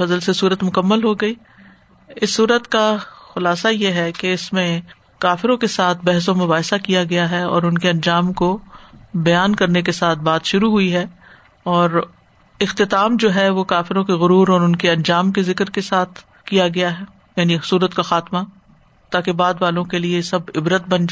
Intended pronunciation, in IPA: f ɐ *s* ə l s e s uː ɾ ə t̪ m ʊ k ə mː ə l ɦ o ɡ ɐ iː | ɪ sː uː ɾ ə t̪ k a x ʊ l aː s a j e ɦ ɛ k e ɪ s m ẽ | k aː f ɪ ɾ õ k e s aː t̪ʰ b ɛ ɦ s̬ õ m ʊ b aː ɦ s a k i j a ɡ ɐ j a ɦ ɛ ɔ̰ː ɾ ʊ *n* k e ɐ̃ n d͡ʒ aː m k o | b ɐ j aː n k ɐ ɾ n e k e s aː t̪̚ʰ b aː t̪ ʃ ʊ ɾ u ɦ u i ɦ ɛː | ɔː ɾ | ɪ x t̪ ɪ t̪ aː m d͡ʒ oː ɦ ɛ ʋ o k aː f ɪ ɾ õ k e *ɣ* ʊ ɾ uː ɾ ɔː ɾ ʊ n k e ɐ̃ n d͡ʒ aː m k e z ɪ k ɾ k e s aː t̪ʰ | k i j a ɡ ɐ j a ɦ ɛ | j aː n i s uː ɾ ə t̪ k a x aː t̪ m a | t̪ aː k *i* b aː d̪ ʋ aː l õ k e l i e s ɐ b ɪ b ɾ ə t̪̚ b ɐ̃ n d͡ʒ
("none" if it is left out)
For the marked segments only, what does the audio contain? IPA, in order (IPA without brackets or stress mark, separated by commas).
z, n, ɣ, e